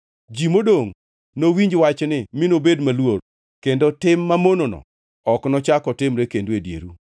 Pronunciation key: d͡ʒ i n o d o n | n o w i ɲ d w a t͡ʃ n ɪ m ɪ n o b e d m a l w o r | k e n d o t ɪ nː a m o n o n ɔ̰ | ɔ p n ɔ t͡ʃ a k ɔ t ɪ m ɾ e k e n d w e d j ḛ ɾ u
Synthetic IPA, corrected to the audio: d͡ʒ i m o d o ŋ | n o w i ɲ d͡ʒ w a t͡ʃ n ɪ m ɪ n o b e d m a l w o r | k e n d o t ɪ mː a m o n o n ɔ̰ | ɔ k n ɔ t͡ʃ a k ɔ t ɪ m ɾ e k e n d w e d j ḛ ɾ u